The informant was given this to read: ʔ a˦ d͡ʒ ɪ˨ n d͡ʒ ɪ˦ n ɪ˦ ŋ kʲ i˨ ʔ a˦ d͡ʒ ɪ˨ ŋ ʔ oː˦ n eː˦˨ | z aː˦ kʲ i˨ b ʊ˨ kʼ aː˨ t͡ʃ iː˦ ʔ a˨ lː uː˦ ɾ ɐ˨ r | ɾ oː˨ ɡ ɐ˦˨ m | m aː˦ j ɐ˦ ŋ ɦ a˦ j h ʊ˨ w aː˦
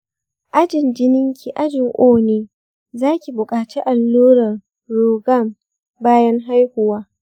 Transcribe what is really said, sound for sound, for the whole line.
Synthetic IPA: ʔ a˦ d͡ʒ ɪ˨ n d͡ʒ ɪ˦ n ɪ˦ ŋ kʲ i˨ ʔ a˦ d͡ʒ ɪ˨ ŋ ʔ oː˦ n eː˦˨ | z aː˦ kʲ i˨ b ʊ˨ kʼ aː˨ t͡ʃ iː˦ ʔ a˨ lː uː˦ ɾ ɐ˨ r | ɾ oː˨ ɡ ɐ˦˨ m | b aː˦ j ɐ˦ ŋ ɦ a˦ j h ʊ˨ w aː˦